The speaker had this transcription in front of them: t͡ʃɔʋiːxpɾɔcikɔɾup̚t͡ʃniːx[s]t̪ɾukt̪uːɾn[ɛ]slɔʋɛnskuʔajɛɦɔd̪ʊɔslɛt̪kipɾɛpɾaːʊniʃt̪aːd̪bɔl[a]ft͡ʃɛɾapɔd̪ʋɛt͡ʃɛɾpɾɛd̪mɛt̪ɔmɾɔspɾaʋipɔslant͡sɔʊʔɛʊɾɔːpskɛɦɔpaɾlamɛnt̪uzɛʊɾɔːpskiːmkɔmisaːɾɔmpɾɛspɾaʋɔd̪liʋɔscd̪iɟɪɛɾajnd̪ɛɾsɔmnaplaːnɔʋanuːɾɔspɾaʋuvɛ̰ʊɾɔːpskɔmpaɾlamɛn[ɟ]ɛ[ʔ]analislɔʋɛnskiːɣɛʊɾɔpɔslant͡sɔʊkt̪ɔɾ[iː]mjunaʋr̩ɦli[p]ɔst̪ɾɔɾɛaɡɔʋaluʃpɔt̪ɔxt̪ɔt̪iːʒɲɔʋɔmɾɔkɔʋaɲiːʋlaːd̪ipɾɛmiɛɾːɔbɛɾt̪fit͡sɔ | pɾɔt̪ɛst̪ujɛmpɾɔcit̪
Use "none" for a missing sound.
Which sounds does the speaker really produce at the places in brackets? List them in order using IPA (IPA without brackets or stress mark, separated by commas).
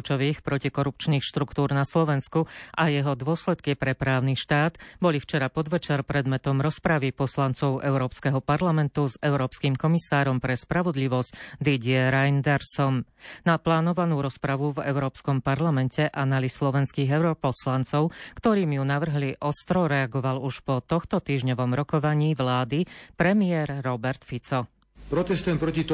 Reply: ʃ, a, i, c, ʔ, iː, ʔ